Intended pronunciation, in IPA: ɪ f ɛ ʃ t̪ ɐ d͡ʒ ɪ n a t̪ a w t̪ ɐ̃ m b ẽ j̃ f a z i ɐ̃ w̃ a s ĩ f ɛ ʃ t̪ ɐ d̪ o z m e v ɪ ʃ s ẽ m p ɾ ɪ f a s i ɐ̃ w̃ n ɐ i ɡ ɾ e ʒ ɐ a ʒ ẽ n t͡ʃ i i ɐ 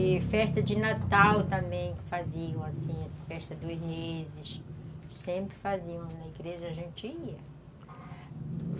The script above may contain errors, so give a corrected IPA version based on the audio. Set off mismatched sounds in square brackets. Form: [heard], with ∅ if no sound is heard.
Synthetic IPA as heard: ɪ f ɛ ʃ t̪ ɐ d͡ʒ ɪ n a t̪ a w t̪ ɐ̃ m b ẽ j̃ f a z i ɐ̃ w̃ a s ĩ f ɛ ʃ t̪ ɐ d̪ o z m e [z] ɪ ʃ s ẽ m p ɾ ɪ f a [z] i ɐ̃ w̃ n ɐ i ɡ ɾ e ʒ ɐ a ʒ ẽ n t͡ʃ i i ɐ